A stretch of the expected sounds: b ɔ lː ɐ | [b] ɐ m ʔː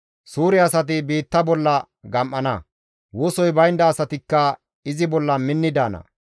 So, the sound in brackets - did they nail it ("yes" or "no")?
no